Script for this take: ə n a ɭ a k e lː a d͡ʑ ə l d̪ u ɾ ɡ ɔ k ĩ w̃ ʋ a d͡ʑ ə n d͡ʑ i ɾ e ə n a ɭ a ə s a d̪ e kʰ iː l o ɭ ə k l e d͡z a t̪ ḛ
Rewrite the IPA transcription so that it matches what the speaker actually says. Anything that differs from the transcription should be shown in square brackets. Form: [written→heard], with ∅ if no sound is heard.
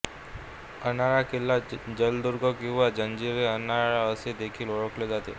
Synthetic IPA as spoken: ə n a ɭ a k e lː a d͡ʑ ə l d̪ u ɾ ɡ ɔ k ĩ w̃ ʋ a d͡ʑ ə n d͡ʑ i ɾ e ə n a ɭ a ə s [a→e] d̪ e kʰ iː l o ɭ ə k l e d͡z a t̪ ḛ